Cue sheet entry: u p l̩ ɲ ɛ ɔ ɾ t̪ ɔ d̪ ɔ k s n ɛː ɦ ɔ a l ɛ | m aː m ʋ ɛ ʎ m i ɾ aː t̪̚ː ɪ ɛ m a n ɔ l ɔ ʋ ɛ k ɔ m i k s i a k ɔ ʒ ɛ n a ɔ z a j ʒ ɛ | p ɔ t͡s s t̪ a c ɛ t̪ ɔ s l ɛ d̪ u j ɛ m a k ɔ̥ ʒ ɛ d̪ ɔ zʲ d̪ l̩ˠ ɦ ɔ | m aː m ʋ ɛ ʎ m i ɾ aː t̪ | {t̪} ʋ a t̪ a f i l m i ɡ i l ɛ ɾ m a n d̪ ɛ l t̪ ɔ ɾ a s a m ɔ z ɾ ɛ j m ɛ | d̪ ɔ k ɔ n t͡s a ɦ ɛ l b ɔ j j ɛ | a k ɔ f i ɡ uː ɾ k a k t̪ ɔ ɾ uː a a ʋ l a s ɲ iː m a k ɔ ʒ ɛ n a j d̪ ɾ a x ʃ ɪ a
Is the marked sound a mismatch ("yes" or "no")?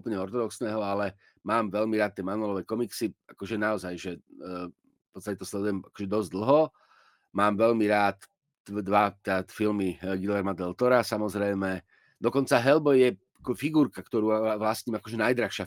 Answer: yes